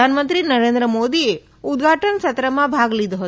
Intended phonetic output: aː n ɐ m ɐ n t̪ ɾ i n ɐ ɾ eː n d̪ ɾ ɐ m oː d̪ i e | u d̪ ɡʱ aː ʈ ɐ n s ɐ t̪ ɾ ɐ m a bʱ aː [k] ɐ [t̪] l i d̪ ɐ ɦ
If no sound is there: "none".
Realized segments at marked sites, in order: ɡ, none

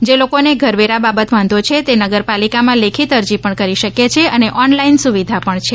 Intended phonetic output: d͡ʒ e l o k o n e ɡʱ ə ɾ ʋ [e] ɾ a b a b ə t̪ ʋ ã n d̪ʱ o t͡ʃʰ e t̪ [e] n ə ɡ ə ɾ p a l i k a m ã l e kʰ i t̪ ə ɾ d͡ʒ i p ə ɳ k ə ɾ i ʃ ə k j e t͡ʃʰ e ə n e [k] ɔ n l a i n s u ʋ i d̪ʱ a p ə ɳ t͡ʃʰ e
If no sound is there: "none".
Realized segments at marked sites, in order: e, e, ʔ

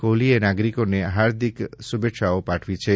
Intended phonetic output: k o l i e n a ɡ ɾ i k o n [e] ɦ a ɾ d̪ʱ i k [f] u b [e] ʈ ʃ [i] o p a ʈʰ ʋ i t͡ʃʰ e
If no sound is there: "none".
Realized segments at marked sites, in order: e, s, e, a

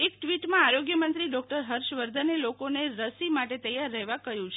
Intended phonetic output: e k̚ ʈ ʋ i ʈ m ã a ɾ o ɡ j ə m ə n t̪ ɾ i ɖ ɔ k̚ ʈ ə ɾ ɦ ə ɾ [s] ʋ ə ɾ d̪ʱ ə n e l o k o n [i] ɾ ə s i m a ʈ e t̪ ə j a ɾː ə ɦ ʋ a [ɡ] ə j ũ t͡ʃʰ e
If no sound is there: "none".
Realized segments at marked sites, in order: ʃ, e, k

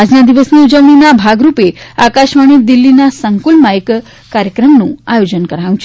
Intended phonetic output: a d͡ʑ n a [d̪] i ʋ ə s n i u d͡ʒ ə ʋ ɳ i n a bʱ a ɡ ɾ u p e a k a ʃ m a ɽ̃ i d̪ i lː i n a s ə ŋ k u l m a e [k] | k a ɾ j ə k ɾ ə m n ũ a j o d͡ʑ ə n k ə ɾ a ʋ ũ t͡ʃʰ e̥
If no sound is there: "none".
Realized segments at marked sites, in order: d̪, k

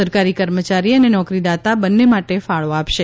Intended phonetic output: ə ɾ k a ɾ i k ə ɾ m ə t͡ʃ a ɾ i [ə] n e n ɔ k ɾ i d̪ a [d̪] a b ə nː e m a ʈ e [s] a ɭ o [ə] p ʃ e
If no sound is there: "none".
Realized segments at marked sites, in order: ə, t̪, f, a

